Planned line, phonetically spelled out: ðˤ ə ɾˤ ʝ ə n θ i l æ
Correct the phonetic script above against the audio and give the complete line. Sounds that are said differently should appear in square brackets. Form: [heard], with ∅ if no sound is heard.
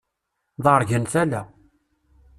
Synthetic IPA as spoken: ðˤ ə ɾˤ ʝ ə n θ [æ] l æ